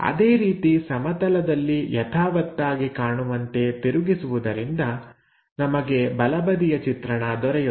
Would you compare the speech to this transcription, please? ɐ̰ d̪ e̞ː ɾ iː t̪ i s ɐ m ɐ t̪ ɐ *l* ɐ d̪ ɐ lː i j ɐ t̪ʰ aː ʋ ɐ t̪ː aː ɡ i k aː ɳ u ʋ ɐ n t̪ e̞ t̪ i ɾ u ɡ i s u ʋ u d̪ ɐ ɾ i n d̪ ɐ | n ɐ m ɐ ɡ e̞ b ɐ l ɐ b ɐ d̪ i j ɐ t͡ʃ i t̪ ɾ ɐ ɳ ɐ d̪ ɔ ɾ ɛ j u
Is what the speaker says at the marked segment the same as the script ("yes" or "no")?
yes